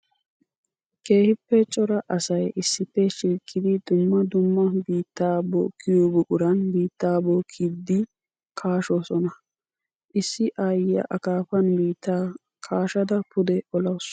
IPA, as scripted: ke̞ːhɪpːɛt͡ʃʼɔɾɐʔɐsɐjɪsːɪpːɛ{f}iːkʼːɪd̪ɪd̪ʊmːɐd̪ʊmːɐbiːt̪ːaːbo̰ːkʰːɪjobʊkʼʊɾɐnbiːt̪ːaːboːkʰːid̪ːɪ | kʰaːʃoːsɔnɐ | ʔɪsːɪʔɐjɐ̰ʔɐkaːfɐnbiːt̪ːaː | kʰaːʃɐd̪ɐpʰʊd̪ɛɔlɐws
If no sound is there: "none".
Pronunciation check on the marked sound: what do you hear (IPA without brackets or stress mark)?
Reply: ʃ